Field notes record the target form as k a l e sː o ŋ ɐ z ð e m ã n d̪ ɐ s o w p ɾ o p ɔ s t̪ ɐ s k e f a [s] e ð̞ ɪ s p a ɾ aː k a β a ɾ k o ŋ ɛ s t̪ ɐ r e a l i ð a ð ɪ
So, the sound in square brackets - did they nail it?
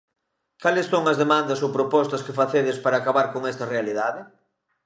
no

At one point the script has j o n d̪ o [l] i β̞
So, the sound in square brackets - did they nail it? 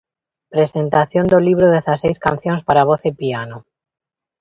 yes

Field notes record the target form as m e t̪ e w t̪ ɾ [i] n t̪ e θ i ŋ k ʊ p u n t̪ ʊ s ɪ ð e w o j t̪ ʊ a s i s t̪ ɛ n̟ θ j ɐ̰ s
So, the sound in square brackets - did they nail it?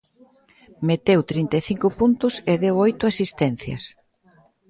yes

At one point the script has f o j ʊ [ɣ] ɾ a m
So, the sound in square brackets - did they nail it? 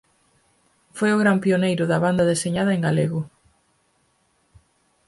yes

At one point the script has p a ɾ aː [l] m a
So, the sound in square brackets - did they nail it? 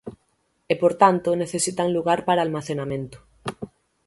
yes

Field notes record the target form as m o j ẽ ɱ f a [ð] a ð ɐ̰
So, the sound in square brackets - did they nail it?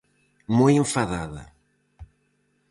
yes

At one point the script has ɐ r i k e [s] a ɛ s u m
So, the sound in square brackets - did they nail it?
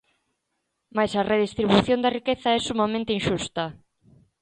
no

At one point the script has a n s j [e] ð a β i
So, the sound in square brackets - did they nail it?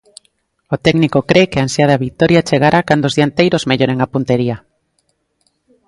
no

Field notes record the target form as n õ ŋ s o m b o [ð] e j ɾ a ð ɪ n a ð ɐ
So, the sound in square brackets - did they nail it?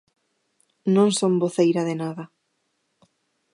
no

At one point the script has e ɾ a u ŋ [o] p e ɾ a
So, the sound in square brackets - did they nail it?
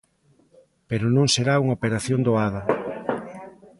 yes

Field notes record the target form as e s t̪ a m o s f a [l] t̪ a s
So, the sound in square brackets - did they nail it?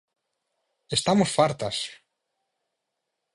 no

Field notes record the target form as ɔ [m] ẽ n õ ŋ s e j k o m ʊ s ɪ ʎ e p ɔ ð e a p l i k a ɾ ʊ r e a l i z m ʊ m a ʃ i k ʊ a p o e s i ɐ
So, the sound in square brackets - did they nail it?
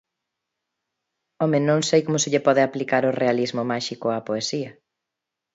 yes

